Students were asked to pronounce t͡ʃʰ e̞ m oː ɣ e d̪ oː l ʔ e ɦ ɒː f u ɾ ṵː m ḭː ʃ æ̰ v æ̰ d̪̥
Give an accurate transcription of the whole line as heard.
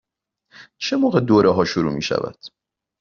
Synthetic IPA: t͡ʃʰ e̞ m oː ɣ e d̪ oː ɾ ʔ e ɦ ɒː ʃ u ɾ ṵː m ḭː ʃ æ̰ v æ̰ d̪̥